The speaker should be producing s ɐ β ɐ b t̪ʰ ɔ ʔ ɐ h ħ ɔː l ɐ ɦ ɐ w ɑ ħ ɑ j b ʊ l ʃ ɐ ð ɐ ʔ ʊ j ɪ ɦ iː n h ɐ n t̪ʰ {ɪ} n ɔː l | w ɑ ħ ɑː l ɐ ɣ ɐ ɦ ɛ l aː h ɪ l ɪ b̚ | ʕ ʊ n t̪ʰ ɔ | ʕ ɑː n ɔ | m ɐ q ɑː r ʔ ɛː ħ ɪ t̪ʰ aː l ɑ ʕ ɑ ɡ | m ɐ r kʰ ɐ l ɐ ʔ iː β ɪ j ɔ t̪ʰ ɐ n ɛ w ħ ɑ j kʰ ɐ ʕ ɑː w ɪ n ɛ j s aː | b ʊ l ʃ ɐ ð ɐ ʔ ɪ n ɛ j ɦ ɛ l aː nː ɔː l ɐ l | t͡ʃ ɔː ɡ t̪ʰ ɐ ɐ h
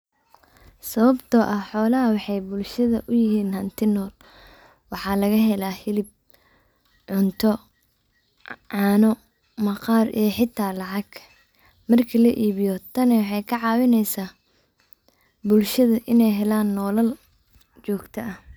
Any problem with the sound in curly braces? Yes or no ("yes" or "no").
no